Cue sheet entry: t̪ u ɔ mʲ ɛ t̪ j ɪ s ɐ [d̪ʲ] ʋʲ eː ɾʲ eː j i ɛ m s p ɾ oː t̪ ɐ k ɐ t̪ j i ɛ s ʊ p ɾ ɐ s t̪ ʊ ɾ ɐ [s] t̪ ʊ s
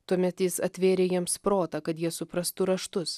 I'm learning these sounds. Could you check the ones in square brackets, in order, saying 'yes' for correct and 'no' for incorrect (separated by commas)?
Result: no, no